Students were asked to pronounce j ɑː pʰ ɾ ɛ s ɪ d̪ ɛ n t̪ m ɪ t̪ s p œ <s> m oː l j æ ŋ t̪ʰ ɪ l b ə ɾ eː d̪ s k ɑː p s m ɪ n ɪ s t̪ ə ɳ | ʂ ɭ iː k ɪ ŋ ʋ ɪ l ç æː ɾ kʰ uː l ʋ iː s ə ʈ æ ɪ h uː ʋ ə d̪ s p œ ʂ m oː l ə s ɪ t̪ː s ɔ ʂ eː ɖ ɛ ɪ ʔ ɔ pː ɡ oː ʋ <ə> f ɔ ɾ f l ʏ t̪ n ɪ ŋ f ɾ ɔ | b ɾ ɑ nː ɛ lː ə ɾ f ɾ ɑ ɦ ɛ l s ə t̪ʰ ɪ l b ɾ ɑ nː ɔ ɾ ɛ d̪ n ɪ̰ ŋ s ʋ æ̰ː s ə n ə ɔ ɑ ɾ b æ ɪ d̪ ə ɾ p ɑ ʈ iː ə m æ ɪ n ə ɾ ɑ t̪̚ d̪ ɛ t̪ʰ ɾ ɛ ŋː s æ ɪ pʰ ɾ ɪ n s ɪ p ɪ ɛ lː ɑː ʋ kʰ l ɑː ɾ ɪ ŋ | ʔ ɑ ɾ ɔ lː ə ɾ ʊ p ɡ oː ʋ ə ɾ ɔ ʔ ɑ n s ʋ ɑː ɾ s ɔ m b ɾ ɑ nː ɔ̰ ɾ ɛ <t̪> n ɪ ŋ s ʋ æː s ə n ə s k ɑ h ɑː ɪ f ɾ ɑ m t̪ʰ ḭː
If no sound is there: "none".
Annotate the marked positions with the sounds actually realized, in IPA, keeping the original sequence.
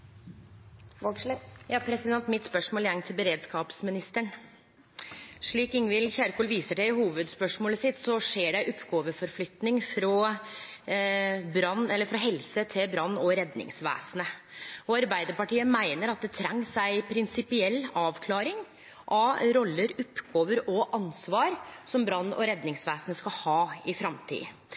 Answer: ʂ, ə, d̪

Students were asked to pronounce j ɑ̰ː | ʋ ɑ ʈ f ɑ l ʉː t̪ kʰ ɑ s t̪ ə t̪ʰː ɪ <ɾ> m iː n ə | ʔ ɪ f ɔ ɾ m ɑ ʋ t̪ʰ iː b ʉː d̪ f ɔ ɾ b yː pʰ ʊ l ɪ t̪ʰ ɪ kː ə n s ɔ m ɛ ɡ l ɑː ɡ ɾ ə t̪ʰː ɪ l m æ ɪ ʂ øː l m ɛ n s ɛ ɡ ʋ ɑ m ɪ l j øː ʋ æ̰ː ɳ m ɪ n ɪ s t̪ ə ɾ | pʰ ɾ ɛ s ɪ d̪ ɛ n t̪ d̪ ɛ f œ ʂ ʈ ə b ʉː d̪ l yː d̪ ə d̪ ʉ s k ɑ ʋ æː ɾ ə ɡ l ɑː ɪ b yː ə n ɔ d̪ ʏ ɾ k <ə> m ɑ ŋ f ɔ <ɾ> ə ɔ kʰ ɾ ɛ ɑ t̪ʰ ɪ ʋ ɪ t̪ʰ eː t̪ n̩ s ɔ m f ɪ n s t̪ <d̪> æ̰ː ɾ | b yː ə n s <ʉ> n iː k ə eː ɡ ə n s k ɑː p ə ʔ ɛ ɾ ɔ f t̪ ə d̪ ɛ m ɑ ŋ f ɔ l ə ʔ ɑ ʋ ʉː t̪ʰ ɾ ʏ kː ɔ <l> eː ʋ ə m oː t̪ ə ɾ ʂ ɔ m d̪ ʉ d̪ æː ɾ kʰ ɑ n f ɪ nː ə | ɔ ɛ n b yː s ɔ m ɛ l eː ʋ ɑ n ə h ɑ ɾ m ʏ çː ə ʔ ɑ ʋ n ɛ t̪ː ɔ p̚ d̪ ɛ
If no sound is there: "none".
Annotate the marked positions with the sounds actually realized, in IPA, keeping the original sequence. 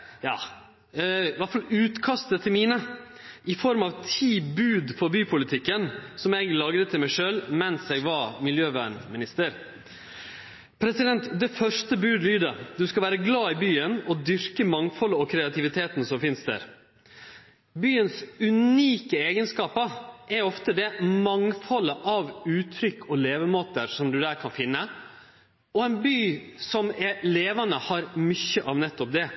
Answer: l, ə, l, d̪, ʉ, l

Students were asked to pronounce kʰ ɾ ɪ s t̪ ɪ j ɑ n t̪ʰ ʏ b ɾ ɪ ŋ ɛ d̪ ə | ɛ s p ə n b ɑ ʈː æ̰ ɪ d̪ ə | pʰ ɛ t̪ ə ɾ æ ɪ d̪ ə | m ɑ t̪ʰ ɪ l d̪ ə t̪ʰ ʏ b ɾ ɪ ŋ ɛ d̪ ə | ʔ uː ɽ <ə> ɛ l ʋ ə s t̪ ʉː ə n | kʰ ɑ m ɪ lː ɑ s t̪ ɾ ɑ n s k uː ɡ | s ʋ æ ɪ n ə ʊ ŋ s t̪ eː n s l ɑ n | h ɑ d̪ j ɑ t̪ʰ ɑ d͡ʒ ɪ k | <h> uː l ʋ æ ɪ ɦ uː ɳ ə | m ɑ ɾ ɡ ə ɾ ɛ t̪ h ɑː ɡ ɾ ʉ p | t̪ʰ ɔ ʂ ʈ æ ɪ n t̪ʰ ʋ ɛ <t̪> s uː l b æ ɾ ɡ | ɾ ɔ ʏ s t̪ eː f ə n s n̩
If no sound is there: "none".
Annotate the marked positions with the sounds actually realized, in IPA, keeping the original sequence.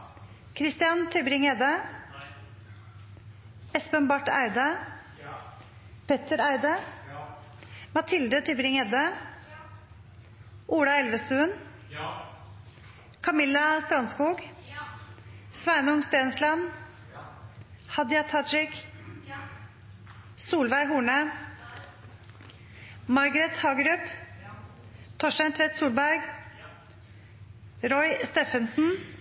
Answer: ɑ, s, t̪

